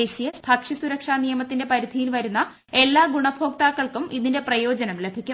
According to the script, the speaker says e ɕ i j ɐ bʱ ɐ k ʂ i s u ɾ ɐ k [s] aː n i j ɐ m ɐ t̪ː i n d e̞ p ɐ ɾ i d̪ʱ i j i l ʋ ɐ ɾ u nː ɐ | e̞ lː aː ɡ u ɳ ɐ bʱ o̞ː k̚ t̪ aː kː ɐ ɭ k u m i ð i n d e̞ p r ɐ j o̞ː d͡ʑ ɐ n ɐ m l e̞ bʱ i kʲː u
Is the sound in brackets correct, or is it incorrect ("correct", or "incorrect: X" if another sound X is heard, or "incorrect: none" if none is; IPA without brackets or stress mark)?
incorrect: ʂ